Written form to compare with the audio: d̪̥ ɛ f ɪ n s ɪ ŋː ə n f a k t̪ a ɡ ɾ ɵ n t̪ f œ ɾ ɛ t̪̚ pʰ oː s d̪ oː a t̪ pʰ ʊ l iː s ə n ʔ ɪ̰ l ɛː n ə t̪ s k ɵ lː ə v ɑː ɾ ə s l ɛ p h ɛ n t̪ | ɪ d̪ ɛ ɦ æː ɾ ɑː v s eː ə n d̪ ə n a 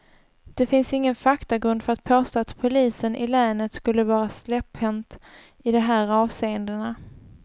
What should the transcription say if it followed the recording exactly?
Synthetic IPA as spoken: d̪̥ ɛ f ɪ n s ɪ ŋː ə n f a k t̪ a ɡ ɾ ɵ n d̪ f œ ɾ a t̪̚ pʰ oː s t̪ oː a t̪ pʰ ʊ l iː s ə n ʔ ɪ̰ l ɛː n ə t̪ s k ɵ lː ə v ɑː ɾ a s l ɛ p h ɛ n t̪ | ɪ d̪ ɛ ɦ æː ɾ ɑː v s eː ə n d̪ ə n a